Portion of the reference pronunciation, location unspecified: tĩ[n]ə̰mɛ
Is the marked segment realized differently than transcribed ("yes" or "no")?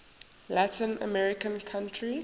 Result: no